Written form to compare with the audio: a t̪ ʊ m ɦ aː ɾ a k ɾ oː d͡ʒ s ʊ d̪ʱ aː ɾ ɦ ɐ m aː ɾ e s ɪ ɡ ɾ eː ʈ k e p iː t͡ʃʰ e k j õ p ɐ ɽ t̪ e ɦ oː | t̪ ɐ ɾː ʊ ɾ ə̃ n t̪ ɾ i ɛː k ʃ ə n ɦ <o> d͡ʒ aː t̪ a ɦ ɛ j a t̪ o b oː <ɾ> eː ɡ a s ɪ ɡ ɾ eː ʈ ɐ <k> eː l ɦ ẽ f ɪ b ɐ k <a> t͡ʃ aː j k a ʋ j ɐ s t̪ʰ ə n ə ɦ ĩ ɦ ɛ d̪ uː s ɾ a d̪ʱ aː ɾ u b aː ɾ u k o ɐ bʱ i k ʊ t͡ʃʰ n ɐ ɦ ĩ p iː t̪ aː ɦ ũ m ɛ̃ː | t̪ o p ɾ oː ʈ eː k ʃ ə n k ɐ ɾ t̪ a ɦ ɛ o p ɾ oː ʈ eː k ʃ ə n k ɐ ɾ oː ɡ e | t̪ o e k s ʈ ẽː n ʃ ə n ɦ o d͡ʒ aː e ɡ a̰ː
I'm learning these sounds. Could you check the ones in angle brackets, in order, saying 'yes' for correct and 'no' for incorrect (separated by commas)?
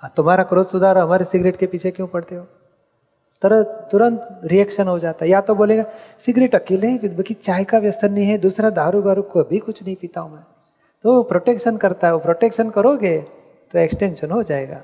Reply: yes, no, yes, no